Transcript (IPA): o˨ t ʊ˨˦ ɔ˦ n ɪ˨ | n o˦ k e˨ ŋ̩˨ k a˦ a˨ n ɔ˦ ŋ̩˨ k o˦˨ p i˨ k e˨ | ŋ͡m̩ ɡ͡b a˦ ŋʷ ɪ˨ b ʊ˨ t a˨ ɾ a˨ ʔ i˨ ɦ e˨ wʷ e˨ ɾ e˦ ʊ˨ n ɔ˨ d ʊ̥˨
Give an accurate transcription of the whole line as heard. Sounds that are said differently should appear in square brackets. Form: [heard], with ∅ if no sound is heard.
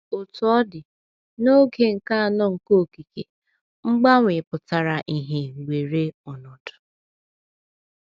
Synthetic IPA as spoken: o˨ t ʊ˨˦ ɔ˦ [d] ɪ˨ | n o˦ [ɡ] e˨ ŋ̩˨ k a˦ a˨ n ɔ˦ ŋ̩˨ k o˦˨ [k] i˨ k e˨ | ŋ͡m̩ ɡ͡b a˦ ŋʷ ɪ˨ [p] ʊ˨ t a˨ ɾ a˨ ʔ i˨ ɦ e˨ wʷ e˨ ɾ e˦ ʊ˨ n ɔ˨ d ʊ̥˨